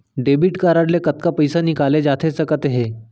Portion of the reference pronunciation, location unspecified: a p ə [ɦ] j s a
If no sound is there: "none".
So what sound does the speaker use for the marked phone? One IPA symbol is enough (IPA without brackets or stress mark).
none